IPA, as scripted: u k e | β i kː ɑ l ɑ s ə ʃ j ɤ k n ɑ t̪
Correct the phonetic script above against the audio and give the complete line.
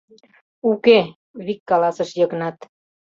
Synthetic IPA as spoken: u k e | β i kː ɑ l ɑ s ə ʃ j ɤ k n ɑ t̪